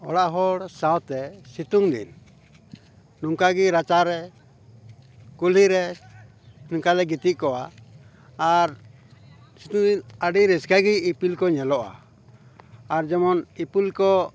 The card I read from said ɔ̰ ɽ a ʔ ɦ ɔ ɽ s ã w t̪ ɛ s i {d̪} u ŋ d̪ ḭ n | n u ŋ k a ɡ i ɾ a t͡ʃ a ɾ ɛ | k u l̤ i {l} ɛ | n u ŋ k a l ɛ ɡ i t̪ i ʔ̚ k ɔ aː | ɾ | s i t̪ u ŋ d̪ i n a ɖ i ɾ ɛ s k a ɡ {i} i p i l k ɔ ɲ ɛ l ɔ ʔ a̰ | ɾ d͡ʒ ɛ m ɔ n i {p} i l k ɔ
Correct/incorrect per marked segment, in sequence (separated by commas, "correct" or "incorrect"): incorrect, incorrect, correct, correct